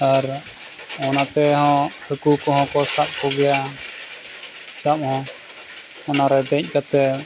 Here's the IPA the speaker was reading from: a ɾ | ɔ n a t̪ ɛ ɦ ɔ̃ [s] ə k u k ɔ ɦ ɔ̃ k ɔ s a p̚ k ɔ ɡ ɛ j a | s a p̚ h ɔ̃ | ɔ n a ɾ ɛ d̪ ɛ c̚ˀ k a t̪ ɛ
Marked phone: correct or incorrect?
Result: incorrect